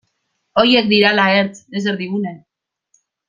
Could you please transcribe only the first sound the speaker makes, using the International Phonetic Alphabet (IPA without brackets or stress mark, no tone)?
o̞